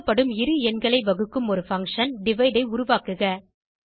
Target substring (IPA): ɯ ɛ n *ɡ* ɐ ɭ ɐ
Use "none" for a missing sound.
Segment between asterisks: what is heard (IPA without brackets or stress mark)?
ɡ